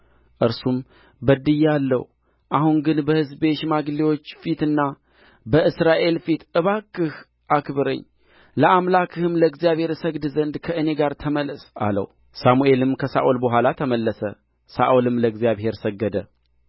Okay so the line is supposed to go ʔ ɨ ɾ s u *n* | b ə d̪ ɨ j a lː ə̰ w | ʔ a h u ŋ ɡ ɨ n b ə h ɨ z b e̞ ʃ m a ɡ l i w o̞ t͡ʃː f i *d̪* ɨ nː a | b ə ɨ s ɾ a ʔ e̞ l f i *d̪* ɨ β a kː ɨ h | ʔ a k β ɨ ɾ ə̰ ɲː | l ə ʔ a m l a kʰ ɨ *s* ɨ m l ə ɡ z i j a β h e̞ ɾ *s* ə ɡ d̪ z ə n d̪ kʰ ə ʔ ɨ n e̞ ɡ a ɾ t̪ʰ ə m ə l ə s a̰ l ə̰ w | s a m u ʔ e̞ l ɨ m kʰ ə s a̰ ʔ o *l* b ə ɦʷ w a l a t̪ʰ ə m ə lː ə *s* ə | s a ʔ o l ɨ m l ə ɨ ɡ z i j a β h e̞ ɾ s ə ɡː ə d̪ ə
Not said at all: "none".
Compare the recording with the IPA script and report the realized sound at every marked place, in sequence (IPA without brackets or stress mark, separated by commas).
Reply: m, t̪, t̪, h, s, l, s